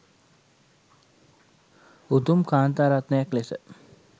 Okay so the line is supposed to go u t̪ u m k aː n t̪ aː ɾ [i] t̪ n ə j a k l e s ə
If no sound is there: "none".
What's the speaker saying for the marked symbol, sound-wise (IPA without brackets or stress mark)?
a